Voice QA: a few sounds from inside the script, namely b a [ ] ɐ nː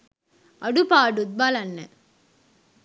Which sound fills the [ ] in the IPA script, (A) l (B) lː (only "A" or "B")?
A